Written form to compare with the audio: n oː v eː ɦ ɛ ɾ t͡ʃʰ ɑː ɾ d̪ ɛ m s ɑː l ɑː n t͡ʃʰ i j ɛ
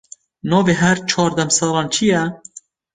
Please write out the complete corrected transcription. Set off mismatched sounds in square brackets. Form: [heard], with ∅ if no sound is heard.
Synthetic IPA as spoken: n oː v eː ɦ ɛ ɾ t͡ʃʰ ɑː ɾ d̪ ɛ m s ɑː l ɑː n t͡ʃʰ i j ɛ